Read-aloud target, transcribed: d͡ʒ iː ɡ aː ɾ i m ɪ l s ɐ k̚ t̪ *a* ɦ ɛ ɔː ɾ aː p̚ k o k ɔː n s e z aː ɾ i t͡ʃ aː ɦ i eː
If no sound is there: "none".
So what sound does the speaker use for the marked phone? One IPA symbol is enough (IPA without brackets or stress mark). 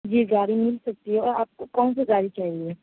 i